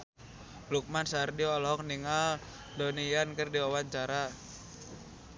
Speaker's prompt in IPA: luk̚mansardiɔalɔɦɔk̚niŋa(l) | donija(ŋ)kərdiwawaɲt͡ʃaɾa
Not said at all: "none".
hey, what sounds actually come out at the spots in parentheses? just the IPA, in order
l, n

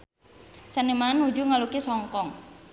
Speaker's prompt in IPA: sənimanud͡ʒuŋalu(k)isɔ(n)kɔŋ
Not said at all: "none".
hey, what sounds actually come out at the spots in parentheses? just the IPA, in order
k, ŋ

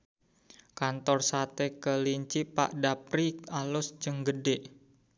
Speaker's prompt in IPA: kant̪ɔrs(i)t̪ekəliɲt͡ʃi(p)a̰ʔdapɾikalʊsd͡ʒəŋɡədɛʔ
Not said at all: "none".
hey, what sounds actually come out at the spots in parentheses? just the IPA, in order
a, p

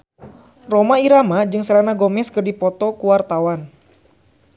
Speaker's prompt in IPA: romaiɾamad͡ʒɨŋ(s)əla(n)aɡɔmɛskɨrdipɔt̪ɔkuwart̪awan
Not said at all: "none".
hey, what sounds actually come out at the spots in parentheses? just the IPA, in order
s, n

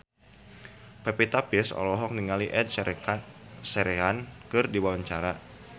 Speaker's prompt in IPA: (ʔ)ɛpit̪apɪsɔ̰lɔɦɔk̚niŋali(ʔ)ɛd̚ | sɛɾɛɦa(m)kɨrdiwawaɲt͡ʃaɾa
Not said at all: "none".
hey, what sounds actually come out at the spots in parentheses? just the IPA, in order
p, ʔ, n

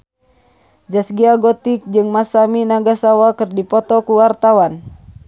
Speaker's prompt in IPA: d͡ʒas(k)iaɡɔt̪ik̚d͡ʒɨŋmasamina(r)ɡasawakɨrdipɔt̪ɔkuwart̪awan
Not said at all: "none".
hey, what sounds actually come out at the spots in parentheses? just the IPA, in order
ɡ, none

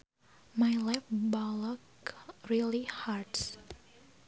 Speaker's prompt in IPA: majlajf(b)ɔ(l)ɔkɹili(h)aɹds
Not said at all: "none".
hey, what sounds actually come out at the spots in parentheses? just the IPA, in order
b, l, h

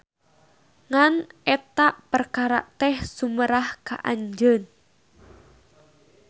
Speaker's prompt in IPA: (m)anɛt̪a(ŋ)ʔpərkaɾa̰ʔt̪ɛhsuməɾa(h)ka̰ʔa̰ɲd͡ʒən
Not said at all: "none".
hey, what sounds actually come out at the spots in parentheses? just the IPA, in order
ŋ, none, h

